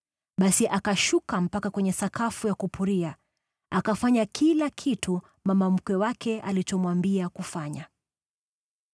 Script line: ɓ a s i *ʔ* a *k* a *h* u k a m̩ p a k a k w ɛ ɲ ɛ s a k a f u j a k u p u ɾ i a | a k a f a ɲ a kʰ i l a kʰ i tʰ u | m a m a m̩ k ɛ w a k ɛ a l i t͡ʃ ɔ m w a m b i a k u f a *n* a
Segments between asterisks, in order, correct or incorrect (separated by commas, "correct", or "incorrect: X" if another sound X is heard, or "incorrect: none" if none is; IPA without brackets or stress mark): correct, correct, incorrect: ʃ, incorrect: ɲ